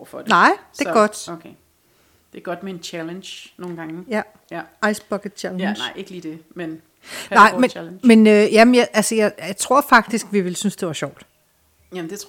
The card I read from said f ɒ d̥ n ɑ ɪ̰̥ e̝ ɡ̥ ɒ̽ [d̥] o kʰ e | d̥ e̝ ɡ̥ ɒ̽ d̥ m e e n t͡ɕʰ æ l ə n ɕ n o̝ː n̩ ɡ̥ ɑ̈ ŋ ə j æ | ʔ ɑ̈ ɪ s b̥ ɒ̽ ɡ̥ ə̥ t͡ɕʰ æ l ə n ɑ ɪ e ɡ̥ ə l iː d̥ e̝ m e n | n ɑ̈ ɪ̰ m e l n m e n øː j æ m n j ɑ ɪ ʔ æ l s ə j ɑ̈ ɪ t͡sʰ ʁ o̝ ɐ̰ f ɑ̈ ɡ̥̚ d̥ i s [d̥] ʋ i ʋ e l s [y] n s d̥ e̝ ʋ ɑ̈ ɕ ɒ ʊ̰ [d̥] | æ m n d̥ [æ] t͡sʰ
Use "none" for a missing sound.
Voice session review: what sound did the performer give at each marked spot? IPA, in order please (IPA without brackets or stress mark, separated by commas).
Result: d̥, ɡ̥, y, d̥, e